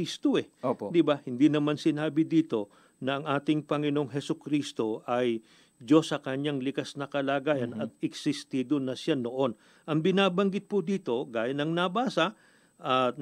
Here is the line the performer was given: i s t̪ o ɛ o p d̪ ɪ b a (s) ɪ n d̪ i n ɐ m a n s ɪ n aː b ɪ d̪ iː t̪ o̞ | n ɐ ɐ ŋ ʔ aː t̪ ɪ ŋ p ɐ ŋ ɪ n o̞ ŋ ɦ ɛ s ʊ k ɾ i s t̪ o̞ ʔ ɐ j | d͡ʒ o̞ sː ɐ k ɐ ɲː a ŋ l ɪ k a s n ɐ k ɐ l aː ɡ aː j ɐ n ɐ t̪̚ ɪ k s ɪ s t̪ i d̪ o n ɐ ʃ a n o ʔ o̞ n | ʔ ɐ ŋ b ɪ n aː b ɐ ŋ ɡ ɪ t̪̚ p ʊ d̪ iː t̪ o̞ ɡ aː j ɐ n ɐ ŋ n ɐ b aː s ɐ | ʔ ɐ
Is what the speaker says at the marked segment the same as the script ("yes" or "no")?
no